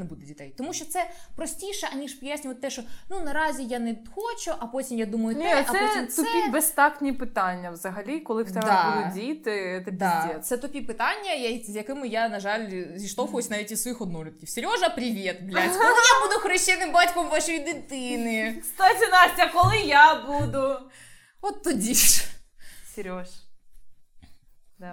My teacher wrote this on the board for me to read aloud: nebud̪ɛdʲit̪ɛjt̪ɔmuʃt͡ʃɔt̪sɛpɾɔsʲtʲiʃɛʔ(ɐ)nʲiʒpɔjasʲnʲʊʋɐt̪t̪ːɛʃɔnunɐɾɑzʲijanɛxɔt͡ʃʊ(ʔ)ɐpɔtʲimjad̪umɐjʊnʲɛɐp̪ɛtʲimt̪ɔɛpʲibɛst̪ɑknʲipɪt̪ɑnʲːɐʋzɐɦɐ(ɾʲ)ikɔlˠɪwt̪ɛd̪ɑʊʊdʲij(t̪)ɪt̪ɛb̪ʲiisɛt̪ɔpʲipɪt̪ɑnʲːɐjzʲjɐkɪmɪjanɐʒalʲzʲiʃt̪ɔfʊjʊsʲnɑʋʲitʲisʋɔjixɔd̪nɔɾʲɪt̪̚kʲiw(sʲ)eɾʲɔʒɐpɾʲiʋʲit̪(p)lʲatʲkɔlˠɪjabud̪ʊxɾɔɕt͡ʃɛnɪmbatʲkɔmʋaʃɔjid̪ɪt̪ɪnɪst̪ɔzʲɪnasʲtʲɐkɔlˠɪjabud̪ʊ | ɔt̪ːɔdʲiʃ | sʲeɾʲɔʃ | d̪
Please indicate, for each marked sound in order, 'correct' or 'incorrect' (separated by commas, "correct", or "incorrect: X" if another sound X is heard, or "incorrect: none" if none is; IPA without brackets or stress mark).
correct, correct, incorrect: lʲ, correct, correct, incorrect: b